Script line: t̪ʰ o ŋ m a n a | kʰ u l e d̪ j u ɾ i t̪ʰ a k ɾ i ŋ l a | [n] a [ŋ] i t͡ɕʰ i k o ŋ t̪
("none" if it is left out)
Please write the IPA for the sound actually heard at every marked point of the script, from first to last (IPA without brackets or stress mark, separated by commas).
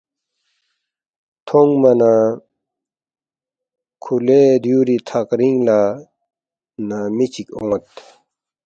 n, m